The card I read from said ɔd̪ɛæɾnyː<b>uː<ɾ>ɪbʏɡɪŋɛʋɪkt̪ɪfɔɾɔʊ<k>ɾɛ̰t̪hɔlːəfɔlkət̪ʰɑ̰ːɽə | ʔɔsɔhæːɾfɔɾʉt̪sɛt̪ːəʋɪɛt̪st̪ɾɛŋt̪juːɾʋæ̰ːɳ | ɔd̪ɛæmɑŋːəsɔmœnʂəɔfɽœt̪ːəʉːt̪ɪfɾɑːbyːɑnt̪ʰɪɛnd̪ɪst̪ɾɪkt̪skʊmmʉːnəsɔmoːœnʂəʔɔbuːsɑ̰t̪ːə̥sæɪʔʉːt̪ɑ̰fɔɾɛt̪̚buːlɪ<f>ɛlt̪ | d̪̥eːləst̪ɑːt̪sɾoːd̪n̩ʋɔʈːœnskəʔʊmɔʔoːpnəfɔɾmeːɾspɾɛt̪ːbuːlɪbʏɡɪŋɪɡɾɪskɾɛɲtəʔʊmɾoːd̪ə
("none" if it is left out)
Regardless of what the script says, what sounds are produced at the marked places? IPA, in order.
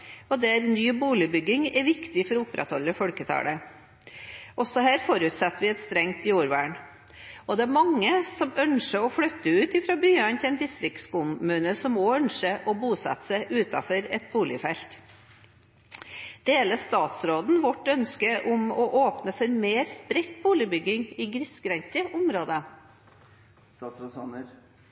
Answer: b, l, p, f

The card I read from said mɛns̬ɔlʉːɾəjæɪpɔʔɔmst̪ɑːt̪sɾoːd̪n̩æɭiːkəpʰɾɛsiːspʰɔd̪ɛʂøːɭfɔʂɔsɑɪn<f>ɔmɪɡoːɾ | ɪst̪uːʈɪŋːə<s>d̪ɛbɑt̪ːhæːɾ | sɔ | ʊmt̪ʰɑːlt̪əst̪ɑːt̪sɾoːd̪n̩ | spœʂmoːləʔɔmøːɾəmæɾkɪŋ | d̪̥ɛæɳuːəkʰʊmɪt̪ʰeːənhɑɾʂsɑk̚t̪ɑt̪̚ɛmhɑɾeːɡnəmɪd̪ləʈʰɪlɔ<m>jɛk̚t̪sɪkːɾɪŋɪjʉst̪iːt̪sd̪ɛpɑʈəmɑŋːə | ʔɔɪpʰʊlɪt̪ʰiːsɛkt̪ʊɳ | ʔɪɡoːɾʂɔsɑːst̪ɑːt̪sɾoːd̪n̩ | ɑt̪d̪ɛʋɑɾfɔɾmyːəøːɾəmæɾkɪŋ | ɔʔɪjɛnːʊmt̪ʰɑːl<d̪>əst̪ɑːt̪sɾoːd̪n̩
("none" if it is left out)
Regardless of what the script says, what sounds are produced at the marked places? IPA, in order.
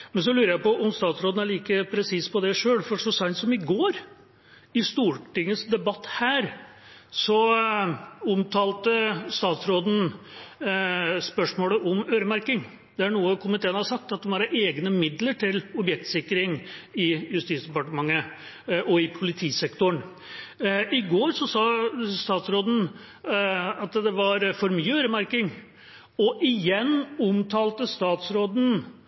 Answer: s, s, b, t̪

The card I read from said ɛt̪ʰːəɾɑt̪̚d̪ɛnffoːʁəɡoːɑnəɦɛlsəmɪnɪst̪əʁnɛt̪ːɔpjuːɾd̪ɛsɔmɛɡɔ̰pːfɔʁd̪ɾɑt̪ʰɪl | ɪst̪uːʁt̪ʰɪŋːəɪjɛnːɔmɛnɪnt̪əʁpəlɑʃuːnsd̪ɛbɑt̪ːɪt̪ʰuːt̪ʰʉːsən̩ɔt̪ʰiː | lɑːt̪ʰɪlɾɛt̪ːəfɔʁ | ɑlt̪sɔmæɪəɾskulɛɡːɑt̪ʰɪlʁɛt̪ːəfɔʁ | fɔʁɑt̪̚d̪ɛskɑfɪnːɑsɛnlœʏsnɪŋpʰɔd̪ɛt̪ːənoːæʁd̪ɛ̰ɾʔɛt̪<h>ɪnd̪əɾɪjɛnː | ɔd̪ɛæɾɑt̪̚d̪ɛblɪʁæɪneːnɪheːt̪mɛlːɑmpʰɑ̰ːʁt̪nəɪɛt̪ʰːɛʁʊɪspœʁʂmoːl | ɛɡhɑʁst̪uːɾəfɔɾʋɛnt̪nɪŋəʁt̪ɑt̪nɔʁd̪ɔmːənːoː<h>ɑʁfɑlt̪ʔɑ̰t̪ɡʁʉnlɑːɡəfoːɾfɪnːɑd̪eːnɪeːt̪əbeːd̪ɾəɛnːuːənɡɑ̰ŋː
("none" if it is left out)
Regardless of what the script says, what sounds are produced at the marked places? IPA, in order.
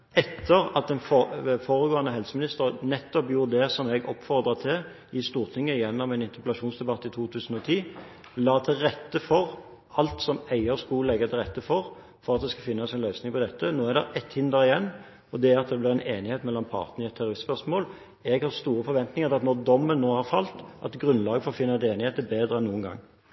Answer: h, h

